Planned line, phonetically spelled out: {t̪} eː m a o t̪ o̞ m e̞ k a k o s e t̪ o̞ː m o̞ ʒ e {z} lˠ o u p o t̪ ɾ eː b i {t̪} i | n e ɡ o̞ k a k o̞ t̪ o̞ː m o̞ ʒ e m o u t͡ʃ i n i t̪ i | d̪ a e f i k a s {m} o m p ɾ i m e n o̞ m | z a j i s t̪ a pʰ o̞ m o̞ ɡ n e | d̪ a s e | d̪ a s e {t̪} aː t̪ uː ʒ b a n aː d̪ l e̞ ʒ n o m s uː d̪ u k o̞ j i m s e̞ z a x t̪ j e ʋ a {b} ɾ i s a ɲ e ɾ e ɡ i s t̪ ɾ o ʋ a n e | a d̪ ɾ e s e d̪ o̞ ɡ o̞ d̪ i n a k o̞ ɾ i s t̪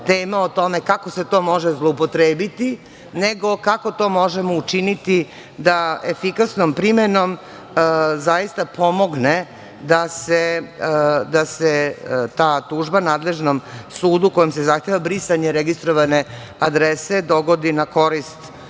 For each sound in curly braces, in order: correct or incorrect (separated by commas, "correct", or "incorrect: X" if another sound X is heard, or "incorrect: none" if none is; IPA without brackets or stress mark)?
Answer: correct, correct, correct, incorrect: n, correct, correct